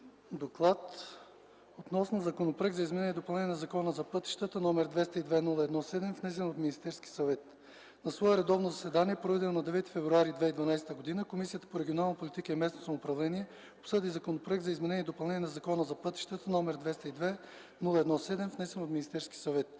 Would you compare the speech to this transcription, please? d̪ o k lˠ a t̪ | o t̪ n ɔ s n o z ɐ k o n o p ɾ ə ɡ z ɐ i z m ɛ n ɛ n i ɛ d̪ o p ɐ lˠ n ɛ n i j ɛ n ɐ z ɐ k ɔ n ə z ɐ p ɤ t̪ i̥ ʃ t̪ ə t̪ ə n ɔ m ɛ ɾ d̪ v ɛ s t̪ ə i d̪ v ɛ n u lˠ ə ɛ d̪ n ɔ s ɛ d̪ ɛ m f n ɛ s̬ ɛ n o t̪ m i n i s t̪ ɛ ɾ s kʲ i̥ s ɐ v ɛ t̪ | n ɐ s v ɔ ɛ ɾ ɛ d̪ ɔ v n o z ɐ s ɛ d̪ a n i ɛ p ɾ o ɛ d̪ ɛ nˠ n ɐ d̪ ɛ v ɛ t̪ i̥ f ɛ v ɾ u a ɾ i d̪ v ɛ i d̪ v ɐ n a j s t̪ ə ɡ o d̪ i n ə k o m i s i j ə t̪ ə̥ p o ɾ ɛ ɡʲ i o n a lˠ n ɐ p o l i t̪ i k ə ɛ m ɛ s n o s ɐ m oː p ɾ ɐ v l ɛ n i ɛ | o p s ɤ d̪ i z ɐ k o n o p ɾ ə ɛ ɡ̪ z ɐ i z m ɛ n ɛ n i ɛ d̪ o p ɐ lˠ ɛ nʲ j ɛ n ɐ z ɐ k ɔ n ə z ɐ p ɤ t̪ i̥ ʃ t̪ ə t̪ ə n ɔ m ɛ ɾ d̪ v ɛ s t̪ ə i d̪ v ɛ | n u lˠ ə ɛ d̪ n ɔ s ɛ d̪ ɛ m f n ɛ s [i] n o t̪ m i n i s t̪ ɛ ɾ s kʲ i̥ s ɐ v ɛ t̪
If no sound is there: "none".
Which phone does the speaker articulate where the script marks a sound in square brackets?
ɛ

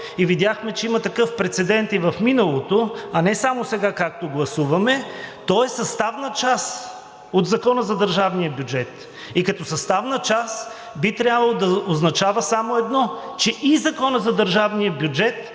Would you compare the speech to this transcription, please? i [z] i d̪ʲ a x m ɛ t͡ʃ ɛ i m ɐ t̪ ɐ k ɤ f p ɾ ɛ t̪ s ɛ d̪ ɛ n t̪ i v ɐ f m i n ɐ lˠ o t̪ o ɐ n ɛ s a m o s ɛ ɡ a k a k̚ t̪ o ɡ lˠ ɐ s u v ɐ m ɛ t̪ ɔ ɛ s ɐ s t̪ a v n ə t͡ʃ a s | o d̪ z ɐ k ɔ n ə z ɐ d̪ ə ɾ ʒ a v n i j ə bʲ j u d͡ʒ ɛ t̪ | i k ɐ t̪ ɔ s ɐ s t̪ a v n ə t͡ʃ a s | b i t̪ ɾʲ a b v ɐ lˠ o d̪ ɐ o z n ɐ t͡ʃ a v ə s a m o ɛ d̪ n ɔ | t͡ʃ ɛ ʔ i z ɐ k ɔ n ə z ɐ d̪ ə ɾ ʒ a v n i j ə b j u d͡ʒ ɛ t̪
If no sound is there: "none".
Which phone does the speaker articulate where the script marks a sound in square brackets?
v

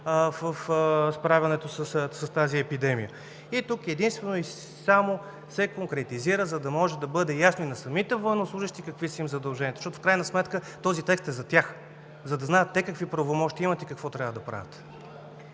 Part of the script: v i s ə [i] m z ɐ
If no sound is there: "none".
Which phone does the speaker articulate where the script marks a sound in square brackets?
i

